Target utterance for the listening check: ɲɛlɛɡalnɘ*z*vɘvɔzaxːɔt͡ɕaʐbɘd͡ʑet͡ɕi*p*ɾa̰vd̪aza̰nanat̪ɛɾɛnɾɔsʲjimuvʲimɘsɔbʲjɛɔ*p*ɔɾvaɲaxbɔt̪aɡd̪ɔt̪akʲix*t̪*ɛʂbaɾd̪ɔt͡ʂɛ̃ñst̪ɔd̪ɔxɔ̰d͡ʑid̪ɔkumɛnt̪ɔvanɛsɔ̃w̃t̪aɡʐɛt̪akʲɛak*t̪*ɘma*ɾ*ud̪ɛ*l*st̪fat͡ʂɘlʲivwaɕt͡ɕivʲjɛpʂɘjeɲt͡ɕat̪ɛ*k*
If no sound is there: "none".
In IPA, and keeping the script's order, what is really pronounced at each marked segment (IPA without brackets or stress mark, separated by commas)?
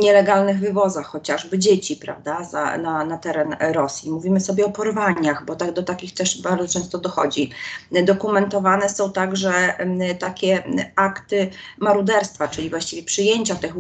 ɣ, p, p, t̪, t̪, ɾ, ɾ, x